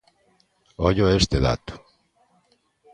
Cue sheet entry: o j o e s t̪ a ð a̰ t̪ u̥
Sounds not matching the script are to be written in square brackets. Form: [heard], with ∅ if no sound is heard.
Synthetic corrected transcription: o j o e s t̪ [e] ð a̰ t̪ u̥